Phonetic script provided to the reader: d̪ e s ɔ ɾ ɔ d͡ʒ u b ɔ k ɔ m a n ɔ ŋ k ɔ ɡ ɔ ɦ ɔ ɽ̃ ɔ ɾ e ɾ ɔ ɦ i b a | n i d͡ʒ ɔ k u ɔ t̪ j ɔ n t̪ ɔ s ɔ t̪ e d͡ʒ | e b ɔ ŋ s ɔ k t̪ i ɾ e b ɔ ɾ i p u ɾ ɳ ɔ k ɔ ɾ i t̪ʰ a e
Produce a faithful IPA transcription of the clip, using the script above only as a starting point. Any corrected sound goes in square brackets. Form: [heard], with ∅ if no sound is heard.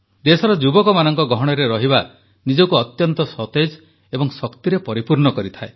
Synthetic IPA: d̪ e s ɔ ɾ ɔ d͡ʒ u b ɔ k ɔ m a n ɔ ŋ k ɔ ɡ ɔ ɦ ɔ ɽ̃ ɔ ɾ e ɾ ɔ ɦ i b a | n i d͡ʒ ɔ k u ɔ t̪ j ɔ n t̪ ɔ s ɔ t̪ e d͡ʒ | e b ɔ ŋ s ɔ k t̪ i ɾ e [p] ɔ ɾ i p u ɾ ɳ ɔ k ɔ ɾ i t̪ʰ a e

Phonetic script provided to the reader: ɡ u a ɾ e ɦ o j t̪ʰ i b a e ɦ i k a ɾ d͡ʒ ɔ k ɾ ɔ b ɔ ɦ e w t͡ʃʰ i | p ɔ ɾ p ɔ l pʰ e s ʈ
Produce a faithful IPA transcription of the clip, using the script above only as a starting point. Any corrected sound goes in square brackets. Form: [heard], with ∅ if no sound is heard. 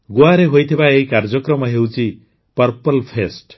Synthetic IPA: ɡ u a ɾ e ɦ o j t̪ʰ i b a e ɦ i k a ɾ d͡ʒ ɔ k ɾ ɔ [m] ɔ ɦ e w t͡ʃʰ i | p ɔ ɾ p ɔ l pʰ e s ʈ

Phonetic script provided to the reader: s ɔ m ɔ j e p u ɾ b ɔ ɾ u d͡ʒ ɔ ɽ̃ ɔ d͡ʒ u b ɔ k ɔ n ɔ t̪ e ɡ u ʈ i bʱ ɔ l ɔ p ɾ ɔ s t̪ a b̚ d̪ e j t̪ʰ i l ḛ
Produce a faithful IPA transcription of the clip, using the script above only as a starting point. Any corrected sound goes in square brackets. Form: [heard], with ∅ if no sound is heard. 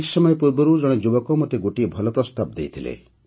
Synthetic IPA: s ɔ m ɔ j e p u ɾ b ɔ ɾ u d͡ʒ ɔ ɽ̃ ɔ d͡ʒ u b ɔ k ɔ [m] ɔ t̪ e ɡ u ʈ i bʱ ɔ l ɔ p ɾ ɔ s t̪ a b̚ d̪ e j t̪ʰ i l ḛ

